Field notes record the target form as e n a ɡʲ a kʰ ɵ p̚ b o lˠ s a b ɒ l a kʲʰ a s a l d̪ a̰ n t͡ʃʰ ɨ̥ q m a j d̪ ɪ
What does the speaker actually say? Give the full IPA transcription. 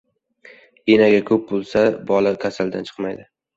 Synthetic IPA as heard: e n a ɡʲ a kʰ ɵ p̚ b o lˠ s a b ɒ l a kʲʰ a s a l d̪ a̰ n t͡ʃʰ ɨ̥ q m a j d̪ ɪ

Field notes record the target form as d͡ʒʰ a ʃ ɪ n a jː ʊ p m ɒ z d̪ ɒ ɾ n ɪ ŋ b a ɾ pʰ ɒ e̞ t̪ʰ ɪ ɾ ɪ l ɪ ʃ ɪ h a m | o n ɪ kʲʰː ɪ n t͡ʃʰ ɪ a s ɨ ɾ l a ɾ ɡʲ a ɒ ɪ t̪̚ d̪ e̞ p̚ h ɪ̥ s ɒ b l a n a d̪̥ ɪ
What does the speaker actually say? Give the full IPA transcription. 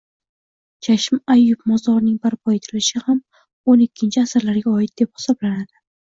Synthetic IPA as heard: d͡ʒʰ a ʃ ɪ m a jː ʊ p m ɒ z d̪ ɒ ɾ n ɪ ŋ b a ɾ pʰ ɒ e̞ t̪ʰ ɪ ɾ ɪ l ɪ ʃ ɪ h a m | o n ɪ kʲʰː ɪ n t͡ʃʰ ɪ a s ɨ ɾ l a ɾ ɡʲ a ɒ ɪ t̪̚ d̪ e̞ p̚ h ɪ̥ s ɒ b l a n a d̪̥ ɪ

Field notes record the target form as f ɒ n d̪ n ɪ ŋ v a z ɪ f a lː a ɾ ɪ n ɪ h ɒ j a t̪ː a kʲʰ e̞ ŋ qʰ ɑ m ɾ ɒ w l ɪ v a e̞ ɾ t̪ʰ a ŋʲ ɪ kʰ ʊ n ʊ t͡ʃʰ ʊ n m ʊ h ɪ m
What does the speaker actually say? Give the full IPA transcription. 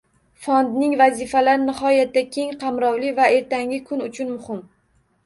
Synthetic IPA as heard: f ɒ n d̪ n ɪ ŋ v a z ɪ f a l a ɾ ɪ n ɪ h ɒ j a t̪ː a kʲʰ e̞ ŋ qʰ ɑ m ɾ ɒ w l ɪ v a e̞ ɾ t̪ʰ a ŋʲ ɪ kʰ ʊ n ʊ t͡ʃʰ ʊ n m ʊ h ɪ m

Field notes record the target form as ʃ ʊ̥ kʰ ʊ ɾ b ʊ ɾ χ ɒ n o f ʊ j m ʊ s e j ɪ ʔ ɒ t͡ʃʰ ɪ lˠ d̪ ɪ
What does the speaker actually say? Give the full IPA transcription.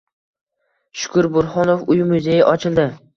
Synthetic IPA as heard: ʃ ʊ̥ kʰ ʊ ɾ b ʊ ɾ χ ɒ n o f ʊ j m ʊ z e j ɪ ʔ ɒ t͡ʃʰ ɪ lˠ d̪ ɪ

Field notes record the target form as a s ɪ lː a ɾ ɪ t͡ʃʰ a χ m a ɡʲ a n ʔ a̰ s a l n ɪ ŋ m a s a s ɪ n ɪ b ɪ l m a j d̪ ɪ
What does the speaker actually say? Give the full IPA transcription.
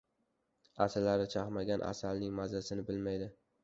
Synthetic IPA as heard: a s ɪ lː a ɾ ɪ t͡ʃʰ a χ m a ɡʲ a n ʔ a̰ s a l n ɪ ŋ m a z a s ɪ n ɪ b ɪ l m a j d̪ ɪ

